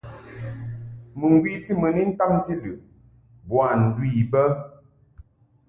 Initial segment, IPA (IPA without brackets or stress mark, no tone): m